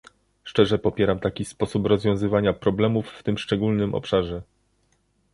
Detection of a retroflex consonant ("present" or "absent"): present